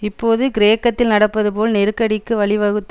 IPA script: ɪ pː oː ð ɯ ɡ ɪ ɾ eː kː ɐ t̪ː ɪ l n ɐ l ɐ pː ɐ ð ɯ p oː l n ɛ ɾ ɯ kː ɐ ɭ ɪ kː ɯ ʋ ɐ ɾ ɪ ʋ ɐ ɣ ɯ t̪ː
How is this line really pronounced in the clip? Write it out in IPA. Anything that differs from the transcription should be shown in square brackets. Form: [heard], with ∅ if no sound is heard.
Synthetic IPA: ɪ pː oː ð ɯ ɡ ɪ ɾ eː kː ɐ t̪ː ɪ l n ɐ [ɽ] ɐ pː ɐ ð ɯ p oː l n ɛ ɾ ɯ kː ɐ [ɽ] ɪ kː ɯ ʋ ɐ [ɭ] ɪ ʋ ɐ ɣ ɯ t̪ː